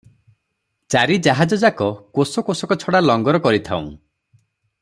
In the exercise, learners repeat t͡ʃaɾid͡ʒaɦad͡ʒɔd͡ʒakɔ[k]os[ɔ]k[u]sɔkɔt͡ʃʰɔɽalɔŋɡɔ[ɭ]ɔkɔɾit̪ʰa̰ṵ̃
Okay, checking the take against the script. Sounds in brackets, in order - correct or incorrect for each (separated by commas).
correct, correct, incorrect, incorrect